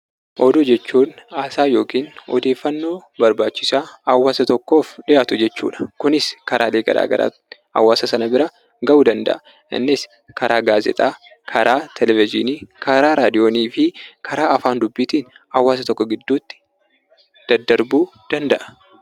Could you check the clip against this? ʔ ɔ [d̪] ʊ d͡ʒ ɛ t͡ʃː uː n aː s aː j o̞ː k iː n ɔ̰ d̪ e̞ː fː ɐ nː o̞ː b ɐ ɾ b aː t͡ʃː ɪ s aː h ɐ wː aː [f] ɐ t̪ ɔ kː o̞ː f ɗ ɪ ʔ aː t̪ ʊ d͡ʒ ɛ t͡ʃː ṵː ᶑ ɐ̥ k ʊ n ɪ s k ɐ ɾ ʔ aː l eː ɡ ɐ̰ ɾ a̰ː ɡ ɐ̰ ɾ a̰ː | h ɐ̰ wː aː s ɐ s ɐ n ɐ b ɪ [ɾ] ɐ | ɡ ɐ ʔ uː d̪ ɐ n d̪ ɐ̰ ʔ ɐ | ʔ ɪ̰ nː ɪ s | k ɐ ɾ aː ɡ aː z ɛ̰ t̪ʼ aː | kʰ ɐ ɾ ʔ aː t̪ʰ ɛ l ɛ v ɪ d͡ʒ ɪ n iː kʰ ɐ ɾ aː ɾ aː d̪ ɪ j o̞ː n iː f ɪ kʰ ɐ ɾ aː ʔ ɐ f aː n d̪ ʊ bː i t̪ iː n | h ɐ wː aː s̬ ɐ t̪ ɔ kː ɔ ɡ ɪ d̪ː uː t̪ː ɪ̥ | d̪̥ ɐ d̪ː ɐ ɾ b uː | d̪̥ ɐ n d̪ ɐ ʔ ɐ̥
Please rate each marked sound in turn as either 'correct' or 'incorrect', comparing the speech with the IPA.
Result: correct, incorrect, correct

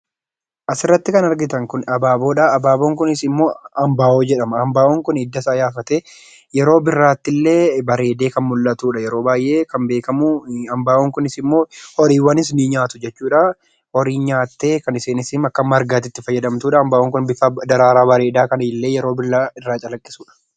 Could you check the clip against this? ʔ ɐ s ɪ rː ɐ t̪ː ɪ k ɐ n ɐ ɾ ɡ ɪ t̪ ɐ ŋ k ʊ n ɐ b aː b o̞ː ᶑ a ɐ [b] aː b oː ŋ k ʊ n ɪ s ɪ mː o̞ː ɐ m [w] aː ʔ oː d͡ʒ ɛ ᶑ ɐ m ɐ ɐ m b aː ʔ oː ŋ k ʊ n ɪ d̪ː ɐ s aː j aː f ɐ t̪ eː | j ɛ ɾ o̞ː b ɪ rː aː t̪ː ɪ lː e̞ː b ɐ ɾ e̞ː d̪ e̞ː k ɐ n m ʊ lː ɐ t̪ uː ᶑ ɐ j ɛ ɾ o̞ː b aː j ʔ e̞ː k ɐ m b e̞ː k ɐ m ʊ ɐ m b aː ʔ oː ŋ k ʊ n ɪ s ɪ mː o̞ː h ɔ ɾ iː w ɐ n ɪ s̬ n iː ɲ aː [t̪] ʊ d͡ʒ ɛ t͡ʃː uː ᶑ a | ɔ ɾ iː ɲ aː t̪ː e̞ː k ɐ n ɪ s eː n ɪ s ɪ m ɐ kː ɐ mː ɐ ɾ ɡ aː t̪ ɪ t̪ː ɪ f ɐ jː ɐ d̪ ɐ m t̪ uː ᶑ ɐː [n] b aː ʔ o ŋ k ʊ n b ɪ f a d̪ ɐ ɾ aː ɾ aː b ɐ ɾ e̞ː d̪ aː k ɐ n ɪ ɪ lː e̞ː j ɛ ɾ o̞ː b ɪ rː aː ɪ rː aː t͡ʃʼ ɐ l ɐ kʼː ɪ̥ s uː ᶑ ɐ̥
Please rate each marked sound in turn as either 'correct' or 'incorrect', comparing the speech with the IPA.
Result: correct, incorrect, correct, incorrect

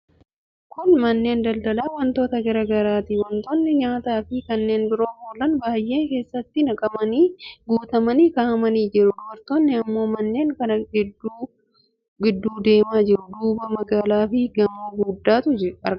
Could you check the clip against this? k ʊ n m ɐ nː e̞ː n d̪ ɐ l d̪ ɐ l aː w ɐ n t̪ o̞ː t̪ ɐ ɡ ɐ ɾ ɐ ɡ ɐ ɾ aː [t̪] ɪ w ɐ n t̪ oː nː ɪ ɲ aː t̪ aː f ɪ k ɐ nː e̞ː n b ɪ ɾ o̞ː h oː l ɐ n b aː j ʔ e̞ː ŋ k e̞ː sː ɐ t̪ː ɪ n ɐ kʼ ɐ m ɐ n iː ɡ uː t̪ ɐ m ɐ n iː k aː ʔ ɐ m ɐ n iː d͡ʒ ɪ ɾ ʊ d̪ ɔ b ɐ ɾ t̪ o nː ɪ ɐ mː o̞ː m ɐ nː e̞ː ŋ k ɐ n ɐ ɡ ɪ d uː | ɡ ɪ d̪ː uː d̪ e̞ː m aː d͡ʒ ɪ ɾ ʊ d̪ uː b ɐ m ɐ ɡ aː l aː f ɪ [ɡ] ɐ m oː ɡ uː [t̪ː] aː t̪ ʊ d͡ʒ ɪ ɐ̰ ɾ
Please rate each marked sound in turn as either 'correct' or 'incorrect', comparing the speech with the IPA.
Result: correct, correct, incorrect

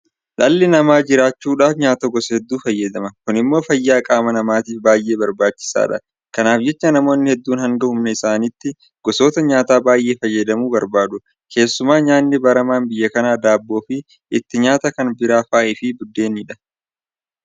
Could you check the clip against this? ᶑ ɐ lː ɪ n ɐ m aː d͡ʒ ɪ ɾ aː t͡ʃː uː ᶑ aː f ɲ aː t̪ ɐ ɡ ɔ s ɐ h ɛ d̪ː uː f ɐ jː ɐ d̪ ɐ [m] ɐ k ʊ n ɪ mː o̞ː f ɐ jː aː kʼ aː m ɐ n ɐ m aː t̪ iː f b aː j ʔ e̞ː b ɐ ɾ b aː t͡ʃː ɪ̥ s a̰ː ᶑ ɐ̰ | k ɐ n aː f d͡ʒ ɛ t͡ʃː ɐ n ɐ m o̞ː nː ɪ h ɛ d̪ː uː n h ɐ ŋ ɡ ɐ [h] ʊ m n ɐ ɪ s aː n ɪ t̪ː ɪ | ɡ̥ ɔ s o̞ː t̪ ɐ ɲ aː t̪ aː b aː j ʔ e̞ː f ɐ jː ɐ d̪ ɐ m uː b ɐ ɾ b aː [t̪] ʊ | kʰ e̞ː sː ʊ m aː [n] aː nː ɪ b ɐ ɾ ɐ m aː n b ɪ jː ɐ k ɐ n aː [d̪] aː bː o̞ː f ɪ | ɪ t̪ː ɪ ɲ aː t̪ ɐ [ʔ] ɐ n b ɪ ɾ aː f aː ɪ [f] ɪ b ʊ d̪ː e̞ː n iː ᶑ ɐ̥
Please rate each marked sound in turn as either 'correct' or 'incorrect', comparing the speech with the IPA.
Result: correct, correct, incorrect, incorrect, correct, incorrect, correct

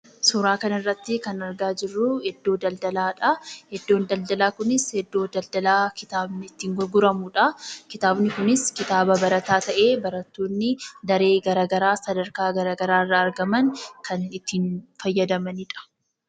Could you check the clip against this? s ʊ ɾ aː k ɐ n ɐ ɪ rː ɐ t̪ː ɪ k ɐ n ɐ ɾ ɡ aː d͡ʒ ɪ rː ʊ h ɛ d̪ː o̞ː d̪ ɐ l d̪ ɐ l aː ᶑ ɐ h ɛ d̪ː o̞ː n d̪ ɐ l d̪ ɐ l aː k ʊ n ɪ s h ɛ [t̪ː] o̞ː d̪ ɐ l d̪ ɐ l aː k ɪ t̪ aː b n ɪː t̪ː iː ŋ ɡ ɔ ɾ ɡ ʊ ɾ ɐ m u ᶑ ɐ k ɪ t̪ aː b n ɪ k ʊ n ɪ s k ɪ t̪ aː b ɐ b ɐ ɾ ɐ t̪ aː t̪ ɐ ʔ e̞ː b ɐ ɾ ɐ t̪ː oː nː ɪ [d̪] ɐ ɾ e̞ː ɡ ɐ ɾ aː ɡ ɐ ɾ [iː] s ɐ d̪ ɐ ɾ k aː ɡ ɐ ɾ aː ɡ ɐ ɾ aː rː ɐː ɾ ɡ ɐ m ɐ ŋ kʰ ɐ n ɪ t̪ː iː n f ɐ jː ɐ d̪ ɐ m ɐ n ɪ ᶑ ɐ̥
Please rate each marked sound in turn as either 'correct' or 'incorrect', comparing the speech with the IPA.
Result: incorrect, correct, incorrect

